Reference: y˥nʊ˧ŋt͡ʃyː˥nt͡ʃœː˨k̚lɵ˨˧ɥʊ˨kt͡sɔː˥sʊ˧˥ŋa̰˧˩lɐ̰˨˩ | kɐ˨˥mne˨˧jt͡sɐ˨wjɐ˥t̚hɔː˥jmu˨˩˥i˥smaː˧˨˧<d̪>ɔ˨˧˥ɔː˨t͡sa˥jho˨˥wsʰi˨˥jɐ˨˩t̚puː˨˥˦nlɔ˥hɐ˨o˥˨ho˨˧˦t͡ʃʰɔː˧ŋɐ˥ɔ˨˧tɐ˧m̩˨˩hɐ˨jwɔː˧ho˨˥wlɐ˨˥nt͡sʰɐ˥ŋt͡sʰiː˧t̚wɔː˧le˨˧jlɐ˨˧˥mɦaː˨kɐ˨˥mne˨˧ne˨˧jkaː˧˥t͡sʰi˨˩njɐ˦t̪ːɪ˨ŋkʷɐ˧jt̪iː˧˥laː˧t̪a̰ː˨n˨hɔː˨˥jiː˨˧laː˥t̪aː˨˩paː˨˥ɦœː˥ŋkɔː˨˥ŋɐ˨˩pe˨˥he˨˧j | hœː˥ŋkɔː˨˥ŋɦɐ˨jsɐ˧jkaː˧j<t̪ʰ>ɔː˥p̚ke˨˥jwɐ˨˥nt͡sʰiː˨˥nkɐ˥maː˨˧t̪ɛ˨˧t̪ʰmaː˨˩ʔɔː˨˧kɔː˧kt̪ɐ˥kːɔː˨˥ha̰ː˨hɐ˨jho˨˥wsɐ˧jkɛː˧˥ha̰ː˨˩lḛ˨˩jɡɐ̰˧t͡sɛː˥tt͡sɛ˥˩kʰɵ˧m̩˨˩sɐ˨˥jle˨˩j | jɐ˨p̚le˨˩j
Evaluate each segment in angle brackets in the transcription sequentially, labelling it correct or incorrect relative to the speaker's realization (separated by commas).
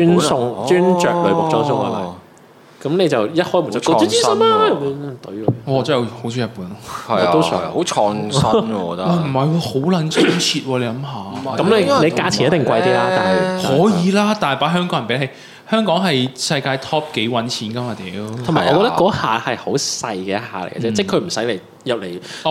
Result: incorrect, correct